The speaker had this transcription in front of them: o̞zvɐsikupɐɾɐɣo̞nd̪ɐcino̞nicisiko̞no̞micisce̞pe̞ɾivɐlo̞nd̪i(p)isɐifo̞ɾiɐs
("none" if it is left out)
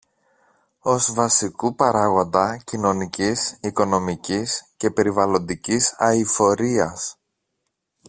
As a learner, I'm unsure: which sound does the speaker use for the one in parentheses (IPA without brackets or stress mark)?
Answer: c